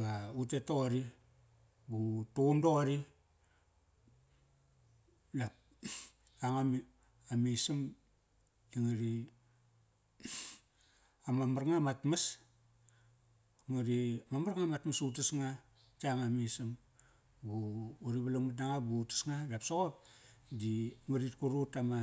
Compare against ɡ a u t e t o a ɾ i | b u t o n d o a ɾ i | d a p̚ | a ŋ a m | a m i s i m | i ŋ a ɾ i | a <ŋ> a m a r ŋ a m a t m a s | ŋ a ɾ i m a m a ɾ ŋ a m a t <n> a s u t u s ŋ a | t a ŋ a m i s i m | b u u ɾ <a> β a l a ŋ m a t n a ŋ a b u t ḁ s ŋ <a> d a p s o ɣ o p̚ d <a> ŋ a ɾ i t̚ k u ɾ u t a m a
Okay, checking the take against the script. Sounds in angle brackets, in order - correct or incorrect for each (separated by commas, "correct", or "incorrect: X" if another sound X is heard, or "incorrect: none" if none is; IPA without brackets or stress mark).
incorrect: m, incorrect: m, incorrect: i, correct, incorrect: i